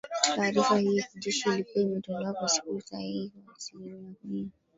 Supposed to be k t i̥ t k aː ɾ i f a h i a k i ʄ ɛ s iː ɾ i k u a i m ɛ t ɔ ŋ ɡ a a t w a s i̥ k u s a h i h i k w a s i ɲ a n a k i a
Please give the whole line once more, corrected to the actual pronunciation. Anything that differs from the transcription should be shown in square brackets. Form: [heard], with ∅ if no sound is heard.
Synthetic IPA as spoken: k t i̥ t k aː ɾ i f a h i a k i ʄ ɛ [ʃ] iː [l] i k u a i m ɛ t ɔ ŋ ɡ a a [k] w a s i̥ k u s a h i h i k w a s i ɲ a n a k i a